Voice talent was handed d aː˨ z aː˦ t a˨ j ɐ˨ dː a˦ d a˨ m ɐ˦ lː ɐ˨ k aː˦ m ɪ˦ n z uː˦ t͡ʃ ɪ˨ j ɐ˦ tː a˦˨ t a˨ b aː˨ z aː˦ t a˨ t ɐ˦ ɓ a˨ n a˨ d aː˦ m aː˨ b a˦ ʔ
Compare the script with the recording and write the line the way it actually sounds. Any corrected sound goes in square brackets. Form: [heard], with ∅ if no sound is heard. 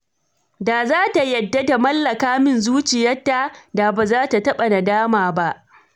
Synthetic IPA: d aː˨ z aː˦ t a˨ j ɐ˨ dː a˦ d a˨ m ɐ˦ lː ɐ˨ k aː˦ m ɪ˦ n z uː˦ t͡ʃ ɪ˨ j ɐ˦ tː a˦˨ [d] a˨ b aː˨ z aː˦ t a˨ t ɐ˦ ɓ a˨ n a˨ d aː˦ m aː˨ b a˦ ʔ